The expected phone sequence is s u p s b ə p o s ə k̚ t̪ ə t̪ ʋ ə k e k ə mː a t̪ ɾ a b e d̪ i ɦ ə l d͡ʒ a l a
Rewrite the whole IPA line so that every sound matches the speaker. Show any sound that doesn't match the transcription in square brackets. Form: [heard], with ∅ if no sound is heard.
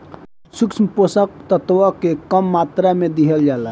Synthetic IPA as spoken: s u [k] s [m] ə p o s ə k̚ t̪ ə t̪ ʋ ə k e k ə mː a t̪ ɾ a [m] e d̪ i ɦ ə l d͡ʒ a l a